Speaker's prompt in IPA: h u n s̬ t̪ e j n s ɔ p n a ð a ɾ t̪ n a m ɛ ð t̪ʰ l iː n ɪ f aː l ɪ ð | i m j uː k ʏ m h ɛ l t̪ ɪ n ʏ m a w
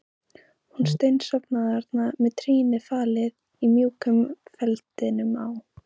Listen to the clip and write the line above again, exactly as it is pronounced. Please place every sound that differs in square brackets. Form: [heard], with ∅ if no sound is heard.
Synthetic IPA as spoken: h u n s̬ t̪ e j n s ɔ p n a ð a ɾ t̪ n a m ɛ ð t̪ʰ [ɾ] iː n ɪ f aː l ɪ ð | i m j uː k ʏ m [f] ɛ l t̪ ɪ n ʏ m a w